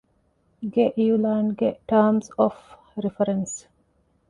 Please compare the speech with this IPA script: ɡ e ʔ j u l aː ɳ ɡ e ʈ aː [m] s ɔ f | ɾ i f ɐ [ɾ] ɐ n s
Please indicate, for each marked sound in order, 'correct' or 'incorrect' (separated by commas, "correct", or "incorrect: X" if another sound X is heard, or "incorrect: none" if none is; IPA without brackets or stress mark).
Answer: correct, correct